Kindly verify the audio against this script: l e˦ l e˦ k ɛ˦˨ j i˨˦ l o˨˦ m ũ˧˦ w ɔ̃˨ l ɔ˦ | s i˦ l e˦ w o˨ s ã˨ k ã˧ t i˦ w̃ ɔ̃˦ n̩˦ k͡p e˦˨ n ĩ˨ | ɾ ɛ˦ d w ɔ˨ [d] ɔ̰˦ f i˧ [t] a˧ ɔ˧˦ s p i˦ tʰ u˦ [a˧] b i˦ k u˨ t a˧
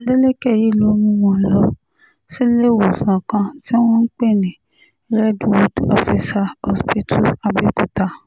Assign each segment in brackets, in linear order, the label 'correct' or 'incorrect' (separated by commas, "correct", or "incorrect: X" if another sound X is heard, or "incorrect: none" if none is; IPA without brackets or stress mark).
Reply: correct, incorrect: s, correct